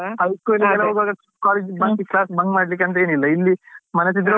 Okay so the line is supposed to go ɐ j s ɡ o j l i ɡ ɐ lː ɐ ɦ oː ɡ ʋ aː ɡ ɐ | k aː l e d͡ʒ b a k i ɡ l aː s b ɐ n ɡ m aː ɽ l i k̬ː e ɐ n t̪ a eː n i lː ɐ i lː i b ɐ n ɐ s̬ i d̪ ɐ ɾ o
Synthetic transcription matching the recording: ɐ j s k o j l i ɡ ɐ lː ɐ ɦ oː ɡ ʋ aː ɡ ɐ | k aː l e d͡ʒ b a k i k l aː s b ɐ ŋ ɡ m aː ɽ l i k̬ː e ɐ n t̪ ɐ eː n i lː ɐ i lː i m ɐ n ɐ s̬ i d̪ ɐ ɾ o